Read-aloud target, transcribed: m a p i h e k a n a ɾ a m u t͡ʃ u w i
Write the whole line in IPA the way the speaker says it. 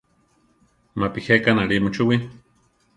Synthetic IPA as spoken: m a p i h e k a n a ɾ i m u t͡ʃ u w i